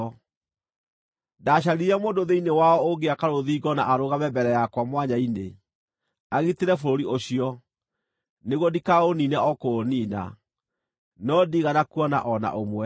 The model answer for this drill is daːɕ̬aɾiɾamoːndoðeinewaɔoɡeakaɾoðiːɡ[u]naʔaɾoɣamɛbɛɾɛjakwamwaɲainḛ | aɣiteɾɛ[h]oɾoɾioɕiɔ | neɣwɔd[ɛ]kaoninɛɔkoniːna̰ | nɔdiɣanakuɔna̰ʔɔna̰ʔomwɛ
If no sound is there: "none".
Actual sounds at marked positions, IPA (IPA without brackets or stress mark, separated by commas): ɔ, f, i